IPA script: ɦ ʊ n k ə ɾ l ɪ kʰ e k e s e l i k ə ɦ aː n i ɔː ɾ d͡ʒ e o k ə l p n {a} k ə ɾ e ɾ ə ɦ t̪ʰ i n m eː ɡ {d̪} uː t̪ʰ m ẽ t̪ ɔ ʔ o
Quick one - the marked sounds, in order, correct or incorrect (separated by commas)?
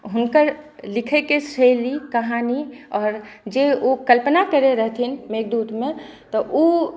correct, correct